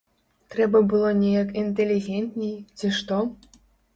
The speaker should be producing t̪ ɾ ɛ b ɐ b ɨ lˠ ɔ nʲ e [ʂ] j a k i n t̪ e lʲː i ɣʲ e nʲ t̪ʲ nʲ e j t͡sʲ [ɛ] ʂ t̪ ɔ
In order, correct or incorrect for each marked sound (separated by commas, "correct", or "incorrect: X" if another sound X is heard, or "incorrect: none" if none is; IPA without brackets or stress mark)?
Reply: incorrect: none, incorrect: i